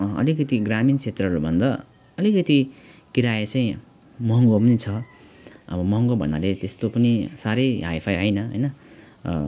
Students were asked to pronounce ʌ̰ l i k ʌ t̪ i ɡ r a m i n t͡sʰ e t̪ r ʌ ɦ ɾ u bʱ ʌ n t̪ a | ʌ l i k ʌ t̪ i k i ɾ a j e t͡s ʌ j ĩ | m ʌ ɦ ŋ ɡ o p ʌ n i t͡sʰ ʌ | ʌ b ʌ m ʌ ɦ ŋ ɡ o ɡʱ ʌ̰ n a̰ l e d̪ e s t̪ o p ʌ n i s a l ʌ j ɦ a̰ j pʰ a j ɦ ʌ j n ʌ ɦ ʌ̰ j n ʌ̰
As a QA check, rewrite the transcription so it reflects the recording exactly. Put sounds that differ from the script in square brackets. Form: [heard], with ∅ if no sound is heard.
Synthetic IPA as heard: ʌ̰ l i k ʌ t̪ i ɡ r a m i n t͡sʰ e t̪ r ʌ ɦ ɾ u bʱ ʌ n [d̪] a | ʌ l i k ʌ t̪ i k i ɾ a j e t͡s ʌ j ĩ | m ʌ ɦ ŋ ɡ o p ʌ n i t͡sʰ ʌ | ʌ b ʌ m ʌ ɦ ŋ ɡ o [bʱ] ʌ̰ n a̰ l e [t̪] e s t̪ o p ʌ n i s a [ɾ] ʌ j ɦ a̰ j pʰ a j ɦ ʌ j n ʌ ɦ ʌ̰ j n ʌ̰